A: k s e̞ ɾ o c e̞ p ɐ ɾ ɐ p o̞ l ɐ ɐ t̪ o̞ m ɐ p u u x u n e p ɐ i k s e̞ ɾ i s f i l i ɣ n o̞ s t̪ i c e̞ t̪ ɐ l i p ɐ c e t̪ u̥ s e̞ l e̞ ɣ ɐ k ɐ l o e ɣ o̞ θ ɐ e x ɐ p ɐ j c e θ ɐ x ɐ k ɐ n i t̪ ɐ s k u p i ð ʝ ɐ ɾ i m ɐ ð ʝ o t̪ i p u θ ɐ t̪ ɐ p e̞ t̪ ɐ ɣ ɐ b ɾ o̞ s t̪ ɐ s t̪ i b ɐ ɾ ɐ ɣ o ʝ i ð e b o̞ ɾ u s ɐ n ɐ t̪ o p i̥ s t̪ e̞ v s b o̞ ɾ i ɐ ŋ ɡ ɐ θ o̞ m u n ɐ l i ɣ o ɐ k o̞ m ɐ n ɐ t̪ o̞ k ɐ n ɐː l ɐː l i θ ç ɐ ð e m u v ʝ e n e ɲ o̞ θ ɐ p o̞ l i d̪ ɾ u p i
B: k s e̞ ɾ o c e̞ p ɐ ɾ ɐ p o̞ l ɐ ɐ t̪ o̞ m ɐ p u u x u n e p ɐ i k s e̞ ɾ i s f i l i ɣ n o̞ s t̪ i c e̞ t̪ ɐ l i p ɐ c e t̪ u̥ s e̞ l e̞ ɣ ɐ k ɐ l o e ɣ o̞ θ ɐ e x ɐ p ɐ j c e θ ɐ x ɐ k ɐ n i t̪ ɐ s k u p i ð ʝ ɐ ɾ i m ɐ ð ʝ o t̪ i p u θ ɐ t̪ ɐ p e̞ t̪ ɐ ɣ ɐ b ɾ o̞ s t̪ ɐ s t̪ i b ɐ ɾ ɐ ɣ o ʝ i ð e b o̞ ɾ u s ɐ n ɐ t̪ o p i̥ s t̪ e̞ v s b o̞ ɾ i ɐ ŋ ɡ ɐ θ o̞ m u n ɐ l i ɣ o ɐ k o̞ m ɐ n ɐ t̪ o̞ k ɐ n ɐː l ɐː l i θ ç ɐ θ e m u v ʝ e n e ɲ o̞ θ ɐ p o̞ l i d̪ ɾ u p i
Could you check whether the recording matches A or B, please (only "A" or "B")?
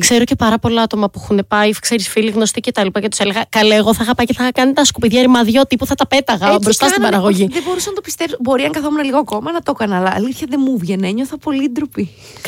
A